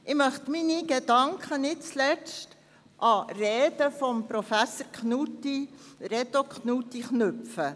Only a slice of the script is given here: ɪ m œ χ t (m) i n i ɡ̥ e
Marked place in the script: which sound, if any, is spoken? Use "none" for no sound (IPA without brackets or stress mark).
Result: m